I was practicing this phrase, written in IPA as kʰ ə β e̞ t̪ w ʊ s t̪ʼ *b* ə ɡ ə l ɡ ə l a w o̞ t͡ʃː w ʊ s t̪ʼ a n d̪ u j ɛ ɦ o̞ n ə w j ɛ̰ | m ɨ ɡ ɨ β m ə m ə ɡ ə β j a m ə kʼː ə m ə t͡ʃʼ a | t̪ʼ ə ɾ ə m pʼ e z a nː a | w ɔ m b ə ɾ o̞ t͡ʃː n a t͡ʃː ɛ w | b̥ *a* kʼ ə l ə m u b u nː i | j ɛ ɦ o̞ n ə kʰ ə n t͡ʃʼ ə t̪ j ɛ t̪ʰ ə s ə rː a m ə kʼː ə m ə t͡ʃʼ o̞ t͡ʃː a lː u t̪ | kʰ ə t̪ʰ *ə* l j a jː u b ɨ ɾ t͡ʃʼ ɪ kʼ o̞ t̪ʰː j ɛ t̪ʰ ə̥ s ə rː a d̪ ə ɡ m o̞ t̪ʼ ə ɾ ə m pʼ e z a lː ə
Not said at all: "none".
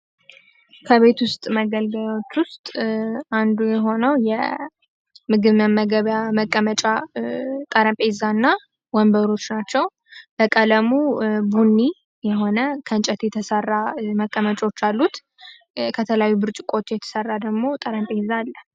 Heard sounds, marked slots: m, ə, ə

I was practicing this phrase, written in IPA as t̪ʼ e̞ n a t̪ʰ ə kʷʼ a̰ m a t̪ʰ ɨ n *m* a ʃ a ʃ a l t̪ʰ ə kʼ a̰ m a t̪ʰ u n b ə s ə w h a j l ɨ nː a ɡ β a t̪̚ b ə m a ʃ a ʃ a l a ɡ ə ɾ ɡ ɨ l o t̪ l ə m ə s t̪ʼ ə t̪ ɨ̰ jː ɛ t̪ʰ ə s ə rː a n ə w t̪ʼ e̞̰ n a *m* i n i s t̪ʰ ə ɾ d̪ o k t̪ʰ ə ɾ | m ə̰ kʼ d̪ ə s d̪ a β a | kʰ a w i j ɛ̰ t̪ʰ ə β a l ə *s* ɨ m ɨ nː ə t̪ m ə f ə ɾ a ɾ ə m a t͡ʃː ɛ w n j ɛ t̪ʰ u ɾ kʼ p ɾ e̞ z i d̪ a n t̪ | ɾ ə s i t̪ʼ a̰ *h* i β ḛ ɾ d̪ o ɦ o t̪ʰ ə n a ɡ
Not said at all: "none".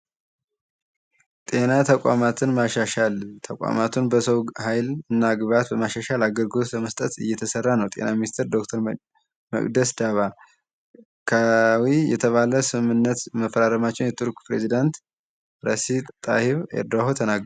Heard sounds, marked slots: m, m, s, h

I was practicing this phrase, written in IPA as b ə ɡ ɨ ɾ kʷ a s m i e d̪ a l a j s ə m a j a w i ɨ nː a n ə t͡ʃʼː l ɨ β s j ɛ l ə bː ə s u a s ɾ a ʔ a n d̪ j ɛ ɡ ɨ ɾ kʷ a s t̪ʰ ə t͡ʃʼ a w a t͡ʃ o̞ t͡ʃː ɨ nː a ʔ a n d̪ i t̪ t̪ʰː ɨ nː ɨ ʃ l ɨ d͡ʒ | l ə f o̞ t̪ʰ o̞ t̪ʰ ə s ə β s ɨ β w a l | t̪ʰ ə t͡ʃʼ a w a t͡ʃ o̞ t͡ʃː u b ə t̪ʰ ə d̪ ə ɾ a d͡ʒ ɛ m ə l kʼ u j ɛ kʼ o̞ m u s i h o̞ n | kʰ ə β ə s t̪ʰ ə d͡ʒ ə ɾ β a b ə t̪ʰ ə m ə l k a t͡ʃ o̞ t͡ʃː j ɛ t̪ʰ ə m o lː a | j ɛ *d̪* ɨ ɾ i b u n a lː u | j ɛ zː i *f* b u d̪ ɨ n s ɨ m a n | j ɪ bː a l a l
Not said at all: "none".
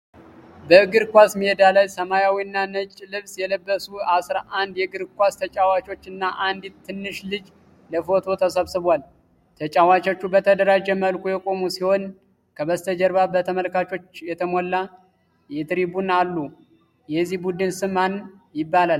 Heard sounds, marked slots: t̪, h

